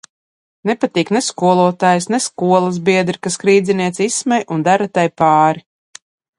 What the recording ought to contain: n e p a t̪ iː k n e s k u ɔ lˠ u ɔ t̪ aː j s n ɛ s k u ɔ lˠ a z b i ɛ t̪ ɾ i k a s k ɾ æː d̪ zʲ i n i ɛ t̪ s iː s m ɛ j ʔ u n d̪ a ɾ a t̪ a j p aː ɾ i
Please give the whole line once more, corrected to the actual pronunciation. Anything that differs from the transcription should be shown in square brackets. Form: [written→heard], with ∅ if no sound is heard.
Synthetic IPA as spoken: n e p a t̪ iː k n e s k u ɔ lˠ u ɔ t̪ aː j s n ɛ s k u ɔ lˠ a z b i ɛ [t̪→d̪] ɾ i k a s k ɾ [æː→iː] d̪ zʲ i n i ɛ t̪ s [iː→i] s m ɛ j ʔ u n d̪ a ɾ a t̪ a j p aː ɾ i